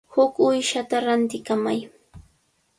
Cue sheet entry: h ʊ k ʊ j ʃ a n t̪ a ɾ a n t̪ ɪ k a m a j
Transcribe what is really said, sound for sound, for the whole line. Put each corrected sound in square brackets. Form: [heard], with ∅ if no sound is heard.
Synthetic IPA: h ʊ k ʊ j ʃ a [∅] t̪ a ɾ a n t̪ ɪ k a m a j